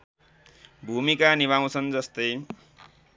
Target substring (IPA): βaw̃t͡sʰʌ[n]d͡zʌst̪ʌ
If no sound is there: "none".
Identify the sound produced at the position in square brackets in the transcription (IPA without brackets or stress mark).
n